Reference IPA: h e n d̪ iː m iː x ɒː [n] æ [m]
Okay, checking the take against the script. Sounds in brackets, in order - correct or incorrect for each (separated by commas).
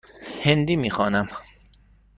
correct, correct